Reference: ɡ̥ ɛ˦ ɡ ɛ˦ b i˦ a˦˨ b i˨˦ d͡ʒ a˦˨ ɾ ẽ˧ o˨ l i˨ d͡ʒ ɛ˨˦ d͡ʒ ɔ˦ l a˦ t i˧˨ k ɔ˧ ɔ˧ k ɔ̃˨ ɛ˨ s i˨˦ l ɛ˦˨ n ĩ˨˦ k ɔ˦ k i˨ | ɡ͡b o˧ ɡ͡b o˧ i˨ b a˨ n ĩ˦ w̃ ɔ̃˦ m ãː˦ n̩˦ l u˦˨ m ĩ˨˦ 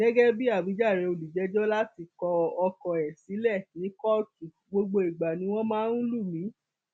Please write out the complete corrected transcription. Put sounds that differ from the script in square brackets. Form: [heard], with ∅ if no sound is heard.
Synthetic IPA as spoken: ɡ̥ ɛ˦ ɡ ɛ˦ b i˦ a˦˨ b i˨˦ d͡ʒ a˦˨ ɾ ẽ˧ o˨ l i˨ d͡ʒ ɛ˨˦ d͡ʒ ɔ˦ l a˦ t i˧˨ k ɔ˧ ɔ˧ k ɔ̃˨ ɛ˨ s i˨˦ l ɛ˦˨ n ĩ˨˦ k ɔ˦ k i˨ | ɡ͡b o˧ ɡ͡b o˧ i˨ [ɡ͡b] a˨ n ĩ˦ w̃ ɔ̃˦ m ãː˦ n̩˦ l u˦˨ m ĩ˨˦